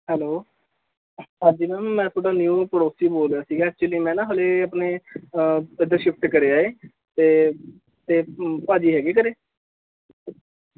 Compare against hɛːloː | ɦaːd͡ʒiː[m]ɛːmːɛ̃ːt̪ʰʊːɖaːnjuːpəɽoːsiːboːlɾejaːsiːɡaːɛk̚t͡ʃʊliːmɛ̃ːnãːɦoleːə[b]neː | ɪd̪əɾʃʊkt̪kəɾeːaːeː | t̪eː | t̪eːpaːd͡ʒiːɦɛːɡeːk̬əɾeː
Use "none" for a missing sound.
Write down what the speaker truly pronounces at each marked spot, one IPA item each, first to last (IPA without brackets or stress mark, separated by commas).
m, p